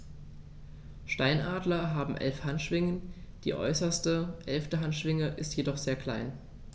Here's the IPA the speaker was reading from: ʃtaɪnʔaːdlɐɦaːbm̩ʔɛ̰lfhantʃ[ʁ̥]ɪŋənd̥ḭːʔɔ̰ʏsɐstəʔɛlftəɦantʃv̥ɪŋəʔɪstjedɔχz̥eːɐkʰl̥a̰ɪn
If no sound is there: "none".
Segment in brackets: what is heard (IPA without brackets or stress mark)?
v̥